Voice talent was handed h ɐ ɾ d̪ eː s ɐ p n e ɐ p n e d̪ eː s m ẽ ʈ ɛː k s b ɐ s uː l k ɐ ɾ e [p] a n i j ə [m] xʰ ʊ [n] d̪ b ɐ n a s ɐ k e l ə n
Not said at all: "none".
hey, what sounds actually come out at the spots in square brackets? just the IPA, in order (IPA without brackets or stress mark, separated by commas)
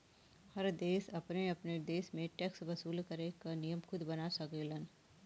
k, m, none